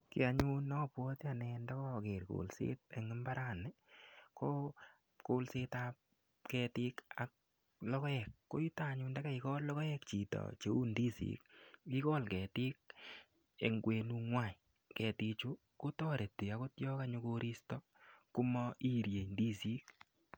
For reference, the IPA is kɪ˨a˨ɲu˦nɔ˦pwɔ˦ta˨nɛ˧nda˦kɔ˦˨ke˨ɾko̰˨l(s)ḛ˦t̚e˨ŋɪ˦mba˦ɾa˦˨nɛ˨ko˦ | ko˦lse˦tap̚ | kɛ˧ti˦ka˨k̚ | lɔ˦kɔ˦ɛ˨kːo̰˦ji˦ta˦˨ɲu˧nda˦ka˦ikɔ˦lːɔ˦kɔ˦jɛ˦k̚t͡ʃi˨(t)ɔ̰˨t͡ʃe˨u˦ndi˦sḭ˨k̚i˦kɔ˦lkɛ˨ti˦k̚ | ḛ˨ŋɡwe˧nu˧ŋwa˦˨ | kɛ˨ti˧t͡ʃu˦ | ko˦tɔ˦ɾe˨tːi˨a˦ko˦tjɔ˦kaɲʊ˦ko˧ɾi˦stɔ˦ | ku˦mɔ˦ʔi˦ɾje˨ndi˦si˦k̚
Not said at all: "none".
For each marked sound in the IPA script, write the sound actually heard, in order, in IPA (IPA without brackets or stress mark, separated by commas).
s, t